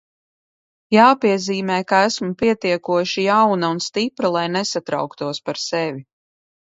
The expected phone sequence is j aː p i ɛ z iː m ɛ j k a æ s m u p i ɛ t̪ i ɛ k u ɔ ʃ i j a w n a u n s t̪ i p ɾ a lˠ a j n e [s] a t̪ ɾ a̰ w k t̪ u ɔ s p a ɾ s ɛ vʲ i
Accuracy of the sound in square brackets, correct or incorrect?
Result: correct